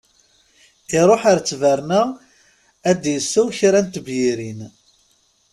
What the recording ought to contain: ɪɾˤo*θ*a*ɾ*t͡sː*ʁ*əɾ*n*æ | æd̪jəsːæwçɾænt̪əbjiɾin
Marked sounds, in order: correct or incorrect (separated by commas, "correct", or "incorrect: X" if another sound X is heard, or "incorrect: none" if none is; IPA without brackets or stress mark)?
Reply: incorrect: ħ, correct, incorrect: v, correct